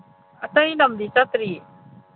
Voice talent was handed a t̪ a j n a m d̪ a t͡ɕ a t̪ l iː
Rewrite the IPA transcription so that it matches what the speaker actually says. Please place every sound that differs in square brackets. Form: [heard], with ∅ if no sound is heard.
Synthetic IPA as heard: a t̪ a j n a m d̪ [i] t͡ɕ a t̪ [ɾ] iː

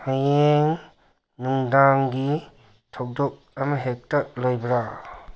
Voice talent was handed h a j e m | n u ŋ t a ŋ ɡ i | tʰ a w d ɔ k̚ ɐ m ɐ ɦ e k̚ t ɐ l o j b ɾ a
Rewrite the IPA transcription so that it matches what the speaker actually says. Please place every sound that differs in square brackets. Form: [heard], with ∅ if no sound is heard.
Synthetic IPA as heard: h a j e [ŋ] | n u ŋ [d] a ŋ ɡ i | tʰ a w d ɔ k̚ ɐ m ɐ ɦ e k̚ t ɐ l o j b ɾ a

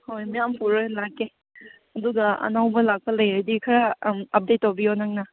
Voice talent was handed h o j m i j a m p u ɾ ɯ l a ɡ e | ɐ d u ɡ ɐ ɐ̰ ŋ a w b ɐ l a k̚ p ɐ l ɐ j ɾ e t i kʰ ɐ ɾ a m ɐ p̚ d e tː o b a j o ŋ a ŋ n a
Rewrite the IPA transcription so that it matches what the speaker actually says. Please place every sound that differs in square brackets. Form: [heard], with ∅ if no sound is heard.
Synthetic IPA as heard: h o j m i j a m p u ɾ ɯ l a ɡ e | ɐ d u ɡ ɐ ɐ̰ [n] a w b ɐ l a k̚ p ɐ l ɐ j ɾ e [d] i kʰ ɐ ɾ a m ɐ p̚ d e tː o b [i] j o [n] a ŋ n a

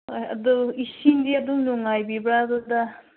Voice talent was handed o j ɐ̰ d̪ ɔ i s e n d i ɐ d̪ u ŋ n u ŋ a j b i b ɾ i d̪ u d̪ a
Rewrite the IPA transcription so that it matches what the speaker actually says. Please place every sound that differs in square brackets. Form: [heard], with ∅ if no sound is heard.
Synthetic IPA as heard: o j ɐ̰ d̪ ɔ i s [i] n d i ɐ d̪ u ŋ n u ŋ a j b i b ɾ [a] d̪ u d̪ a

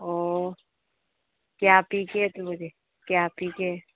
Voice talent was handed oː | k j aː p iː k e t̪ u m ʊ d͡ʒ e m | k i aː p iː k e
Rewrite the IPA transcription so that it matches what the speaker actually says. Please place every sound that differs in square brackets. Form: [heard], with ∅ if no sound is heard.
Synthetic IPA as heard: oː | k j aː p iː k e t̪ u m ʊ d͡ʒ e [∅] | k [j] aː p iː k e

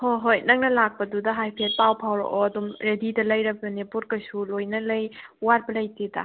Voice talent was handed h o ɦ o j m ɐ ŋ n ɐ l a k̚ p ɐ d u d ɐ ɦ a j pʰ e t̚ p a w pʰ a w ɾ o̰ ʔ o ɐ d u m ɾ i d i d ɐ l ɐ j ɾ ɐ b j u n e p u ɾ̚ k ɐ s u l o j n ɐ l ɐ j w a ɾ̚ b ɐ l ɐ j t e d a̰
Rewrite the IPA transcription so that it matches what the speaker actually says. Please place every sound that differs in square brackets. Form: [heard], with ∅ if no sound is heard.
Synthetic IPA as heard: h o ɦ o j [n] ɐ ŋ n ɐ l a k̚ p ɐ d u d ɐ ɦ a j pʰ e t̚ p a w pʰ a w ɾ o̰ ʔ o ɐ d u m ɾ [e] d i d ɐ l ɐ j ɾ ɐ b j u n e p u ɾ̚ k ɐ s u l o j n ɐ l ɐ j w a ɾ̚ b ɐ l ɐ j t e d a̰

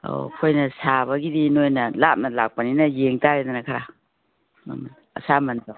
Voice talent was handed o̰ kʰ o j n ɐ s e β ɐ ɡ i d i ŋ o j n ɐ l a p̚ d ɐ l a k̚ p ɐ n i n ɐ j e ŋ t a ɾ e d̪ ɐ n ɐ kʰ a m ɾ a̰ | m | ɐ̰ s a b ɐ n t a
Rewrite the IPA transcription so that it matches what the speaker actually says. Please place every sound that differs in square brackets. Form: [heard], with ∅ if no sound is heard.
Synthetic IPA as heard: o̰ kʰ o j n ɐ s [a] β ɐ ɡ i d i [n] o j n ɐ l a p̚ [n] ɐ l a k̚ p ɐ n i n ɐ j e ŋ t a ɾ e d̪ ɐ n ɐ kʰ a [∅] ɾ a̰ | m | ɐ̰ s a [m] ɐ n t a

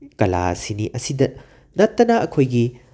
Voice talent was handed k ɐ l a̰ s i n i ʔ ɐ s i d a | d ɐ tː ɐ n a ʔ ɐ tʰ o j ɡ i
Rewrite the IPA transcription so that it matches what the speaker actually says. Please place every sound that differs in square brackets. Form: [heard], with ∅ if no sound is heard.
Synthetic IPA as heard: k ɐ l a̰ s i n i ʔ ɐ s i d [ɐ] | [n] ɐ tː ɐ n a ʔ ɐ [kʰ] o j ɡ i

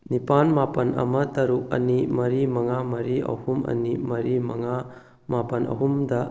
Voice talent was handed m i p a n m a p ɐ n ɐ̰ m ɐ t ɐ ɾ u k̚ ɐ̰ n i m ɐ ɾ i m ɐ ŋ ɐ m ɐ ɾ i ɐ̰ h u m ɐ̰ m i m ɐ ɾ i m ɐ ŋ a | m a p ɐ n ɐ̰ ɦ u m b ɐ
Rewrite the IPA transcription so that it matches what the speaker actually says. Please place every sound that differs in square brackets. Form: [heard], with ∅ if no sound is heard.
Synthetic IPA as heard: [n] i p a n m a p ɐ n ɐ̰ m ɐ t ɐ ɾ u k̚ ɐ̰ n i m ɐ ɾ i m ɐ ŋ [a] m ɐ ɾ i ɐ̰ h u m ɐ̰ [n] i m ɐ ɾ i m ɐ ŋ a | m a p ɐ n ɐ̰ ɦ u m [d] ɐ

